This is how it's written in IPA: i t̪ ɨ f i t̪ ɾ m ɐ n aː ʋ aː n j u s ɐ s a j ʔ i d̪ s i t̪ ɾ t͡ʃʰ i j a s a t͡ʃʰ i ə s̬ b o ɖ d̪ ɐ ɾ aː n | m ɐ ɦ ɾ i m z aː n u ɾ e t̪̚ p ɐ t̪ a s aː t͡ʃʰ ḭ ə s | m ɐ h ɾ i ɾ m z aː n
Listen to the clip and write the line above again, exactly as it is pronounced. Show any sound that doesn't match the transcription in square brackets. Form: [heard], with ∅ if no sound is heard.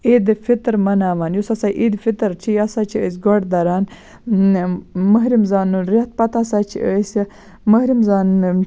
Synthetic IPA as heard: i [d̪] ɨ f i t̪ ɾ m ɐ n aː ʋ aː n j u s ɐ s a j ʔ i d̪ [f] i t̪ ɾ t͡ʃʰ i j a s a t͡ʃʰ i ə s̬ [ɡ] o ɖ d̪ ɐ ɾ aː n | m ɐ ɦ ɾ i m z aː n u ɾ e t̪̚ p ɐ t̪ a s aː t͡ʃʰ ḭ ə s | m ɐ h ɾ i [∅] m z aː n